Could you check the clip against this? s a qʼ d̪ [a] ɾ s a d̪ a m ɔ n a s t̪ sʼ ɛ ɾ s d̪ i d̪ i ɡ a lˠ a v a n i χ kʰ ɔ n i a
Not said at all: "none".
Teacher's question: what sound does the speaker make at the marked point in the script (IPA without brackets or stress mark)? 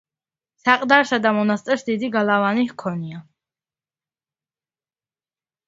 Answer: a